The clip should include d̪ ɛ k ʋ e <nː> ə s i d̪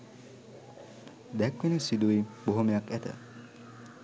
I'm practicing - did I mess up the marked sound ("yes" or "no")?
yes